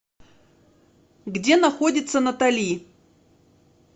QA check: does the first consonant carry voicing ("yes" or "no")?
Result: yes